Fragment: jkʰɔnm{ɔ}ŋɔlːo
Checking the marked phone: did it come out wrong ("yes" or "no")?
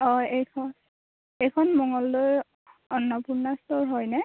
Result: no